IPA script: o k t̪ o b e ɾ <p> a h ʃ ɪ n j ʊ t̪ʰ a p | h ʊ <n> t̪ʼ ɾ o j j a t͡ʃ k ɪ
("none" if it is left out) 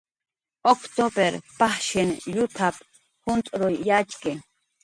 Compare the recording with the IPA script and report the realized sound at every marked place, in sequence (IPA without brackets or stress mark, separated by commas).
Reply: p, n